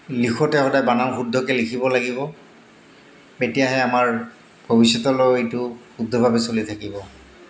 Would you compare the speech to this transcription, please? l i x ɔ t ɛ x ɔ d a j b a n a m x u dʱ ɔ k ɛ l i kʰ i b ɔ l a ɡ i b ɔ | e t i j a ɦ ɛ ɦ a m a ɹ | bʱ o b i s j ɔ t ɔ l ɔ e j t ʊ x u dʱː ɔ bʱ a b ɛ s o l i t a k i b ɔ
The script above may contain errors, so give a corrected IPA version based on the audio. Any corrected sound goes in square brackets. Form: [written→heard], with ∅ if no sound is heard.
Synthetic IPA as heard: l i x ɔ t ɛ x ɔ d a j b a n a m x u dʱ ɔ k ɛ l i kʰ i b ɔ l a ɡ i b ɔ | e t i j a ɦ ɛ [ɦ→∅] a m a ɹ | bʱ o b i s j ɔ t ɔ l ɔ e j t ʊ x u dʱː ɔ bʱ a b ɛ s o l i [t→tʰ] a k i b ɔ